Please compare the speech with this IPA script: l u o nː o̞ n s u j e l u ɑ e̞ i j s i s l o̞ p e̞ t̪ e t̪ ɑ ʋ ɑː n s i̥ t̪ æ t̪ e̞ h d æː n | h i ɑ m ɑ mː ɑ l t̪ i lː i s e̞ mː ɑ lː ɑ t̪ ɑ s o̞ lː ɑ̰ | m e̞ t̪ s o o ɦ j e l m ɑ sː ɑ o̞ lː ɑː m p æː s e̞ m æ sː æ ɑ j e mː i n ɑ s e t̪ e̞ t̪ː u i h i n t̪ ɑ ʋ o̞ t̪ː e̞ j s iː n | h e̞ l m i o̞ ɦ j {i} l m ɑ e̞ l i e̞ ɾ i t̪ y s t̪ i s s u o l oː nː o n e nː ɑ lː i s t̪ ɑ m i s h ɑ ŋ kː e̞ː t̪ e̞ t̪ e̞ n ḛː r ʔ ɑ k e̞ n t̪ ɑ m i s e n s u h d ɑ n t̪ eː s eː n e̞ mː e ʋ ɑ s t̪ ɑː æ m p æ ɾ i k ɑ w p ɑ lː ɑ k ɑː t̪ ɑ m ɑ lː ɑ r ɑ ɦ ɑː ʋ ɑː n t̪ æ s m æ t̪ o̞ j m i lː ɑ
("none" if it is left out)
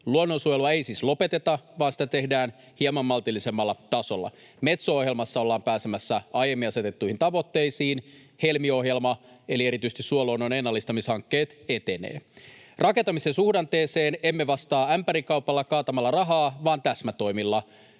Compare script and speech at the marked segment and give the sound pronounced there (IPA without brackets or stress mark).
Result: e